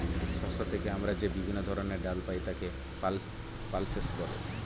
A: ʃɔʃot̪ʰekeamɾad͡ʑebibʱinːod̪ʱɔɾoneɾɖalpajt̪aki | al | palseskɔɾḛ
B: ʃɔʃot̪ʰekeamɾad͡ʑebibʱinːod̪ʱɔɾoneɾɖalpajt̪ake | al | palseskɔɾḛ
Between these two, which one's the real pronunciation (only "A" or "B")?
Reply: B